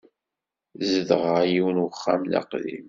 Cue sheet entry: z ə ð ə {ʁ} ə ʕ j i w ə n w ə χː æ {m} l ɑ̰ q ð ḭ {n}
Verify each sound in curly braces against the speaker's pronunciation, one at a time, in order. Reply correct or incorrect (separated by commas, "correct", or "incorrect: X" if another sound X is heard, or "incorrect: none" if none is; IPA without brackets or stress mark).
correct, correct, incorrect: m